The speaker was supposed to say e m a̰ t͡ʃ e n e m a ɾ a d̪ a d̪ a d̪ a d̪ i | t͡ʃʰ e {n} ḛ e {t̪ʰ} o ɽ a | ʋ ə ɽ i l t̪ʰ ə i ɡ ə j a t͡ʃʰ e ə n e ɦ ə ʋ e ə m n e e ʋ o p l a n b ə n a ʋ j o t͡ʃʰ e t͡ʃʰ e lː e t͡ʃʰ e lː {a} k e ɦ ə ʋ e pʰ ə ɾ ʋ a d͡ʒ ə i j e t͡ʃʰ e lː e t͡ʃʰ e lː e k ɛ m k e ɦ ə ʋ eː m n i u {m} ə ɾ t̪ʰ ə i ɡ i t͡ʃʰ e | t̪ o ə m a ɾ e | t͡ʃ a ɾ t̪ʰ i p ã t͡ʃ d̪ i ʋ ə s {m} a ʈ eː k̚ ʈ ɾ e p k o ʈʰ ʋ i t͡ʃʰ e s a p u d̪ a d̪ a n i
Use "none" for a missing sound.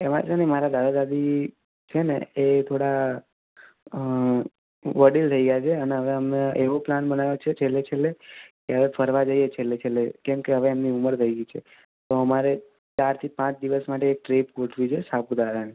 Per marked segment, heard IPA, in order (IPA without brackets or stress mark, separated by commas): n, t̪ʰ, e, m, m